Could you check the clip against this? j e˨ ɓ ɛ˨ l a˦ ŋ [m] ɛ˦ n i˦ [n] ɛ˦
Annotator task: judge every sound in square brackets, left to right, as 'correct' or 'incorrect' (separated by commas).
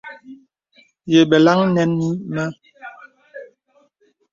incorrect, incorrect